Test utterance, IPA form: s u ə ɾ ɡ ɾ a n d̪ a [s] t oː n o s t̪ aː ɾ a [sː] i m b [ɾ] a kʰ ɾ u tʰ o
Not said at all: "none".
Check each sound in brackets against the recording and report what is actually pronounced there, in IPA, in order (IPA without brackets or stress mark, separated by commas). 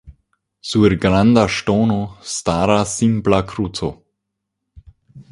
ʃ, s, l